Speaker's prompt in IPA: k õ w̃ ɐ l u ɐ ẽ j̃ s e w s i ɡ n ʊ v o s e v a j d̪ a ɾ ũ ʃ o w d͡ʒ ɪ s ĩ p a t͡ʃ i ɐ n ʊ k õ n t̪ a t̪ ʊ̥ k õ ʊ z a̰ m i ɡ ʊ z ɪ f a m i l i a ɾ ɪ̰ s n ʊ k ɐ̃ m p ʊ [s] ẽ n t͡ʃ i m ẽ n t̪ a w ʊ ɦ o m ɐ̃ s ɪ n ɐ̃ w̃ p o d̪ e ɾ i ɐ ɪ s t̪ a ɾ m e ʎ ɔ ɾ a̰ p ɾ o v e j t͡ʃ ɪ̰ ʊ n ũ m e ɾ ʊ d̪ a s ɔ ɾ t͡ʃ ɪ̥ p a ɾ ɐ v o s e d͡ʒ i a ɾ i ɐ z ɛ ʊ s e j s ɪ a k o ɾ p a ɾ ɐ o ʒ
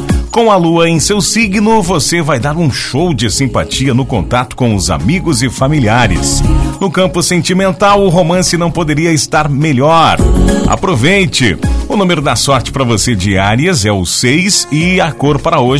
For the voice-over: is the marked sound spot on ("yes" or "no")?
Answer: yes